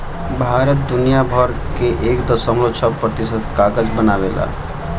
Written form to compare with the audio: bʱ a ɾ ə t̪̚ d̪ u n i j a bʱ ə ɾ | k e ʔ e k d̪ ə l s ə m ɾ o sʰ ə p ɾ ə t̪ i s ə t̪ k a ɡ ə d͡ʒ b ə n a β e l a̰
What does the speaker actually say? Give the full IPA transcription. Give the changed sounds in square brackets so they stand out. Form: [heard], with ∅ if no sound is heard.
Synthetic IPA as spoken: bʱ a ɾ ə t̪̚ d̪ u n i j a bʱ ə ɾ | k e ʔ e k d̪ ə [∅] s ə m [l] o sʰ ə p ɾ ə t̪ i s ə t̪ k a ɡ ə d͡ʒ b ə n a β e l a̰